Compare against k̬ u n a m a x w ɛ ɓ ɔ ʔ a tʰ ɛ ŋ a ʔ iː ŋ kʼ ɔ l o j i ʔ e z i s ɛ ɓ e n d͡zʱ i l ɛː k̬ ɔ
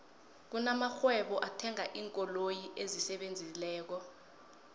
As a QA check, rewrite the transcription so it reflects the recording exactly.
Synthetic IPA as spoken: k̬ u n a m a x w ɛ ɓ ɔ ʔ a tʰ ɛ ŋ a ʔ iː ŋ kʼ ɔ l o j i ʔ e z i s ɛ ɓ e n d͡zʱ i l ɛː k̬ ɔ